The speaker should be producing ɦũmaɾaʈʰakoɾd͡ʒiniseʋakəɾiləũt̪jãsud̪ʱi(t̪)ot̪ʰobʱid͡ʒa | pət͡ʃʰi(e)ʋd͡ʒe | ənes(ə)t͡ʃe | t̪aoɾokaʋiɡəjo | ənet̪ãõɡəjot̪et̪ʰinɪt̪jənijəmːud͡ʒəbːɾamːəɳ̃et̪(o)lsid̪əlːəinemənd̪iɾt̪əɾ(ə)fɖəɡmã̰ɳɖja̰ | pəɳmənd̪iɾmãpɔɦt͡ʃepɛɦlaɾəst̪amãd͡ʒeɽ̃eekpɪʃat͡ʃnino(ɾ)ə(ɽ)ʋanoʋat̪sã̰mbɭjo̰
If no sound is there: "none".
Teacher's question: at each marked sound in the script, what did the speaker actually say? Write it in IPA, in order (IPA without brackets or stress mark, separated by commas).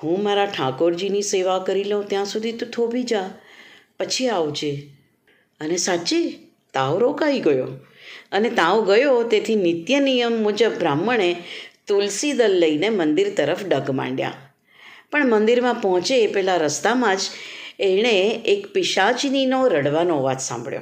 t̪, a, a, u, ə, ɾ, ɽ